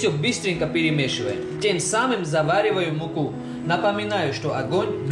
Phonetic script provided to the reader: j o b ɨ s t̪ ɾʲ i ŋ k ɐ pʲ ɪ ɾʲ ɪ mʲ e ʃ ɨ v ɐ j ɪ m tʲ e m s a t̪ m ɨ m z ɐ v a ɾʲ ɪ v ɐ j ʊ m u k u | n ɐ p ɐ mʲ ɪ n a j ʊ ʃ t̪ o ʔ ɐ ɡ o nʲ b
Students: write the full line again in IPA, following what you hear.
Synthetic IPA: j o b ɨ s t̪ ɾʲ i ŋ k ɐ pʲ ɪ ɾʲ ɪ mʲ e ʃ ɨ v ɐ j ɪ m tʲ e m s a m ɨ m z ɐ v a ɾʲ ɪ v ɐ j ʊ m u k u | n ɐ p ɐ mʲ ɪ n a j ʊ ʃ t̪ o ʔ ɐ ɡ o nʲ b